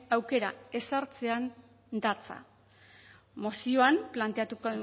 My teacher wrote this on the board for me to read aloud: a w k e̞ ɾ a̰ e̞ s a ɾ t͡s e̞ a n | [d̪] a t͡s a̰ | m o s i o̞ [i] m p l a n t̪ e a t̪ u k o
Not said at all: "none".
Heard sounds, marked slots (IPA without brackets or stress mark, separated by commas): d̪, a